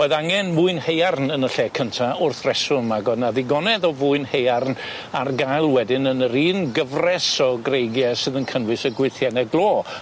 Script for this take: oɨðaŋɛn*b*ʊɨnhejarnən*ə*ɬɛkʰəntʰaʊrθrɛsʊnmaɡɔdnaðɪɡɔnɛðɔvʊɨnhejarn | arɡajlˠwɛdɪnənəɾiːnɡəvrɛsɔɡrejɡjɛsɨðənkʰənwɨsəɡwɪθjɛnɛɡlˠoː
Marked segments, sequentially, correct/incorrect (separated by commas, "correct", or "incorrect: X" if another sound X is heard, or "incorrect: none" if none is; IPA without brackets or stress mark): incorrect: m, correct